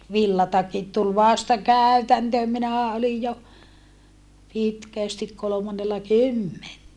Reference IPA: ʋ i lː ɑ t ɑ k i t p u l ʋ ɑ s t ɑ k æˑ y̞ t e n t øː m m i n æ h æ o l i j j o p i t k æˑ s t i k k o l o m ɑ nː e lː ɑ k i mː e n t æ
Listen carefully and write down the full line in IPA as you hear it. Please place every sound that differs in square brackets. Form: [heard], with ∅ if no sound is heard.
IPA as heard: ʋ i lː ɑ t ɑ k i t [t] u l ʋ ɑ s t ɑ k æˑ y̞ t [æ] n t øː m m i n æ h æ o l i j j o p i t k æˑ s t i k k o l o m ɑ nː e lː ɑ k [y] mː e n t æ